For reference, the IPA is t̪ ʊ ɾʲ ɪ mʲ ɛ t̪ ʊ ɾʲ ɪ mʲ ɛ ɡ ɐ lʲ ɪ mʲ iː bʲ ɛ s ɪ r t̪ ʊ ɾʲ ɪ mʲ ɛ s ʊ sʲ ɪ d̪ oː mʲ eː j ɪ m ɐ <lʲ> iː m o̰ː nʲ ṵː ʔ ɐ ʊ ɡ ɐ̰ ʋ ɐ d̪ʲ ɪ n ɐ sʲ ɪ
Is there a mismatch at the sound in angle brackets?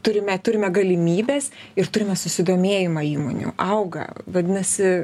yes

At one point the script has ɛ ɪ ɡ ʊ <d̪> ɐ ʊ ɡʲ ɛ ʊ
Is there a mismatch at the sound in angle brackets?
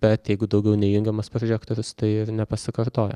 no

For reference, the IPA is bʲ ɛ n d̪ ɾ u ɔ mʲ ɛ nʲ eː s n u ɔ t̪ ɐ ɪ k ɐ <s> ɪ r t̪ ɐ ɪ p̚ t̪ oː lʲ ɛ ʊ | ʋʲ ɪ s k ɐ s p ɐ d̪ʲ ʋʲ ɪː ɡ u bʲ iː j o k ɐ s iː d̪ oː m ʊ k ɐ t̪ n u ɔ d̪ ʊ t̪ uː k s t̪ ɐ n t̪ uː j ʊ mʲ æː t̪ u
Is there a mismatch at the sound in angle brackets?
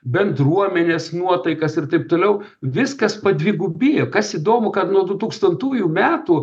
no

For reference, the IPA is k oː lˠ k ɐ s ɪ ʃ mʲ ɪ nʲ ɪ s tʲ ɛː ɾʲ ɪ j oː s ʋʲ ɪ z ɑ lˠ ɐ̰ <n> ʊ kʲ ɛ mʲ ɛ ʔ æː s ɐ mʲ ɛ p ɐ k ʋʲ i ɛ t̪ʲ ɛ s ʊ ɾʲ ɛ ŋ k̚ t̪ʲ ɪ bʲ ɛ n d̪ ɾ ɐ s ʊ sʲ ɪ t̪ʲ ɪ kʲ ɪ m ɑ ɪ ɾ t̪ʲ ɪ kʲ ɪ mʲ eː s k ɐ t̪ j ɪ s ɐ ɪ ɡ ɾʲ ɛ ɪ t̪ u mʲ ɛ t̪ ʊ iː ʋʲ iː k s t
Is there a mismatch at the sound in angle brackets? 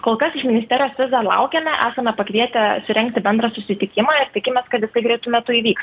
yes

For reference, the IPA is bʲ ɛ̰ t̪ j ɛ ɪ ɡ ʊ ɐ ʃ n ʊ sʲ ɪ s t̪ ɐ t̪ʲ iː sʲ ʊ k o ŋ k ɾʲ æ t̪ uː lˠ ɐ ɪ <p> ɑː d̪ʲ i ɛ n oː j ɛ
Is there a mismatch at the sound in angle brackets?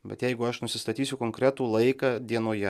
yes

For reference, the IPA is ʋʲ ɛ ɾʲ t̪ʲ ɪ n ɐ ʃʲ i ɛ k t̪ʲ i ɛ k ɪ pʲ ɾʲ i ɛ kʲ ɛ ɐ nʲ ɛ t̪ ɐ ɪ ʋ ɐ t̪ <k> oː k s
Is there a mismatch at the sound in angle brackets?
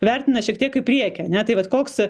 no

